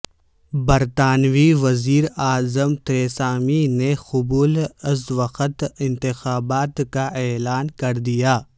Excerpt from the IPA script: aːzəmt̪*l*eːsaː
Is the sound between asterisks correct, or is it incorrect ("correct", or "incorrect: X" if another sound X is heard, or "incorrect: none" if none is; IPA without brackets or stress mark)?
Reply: incorrect: ɾ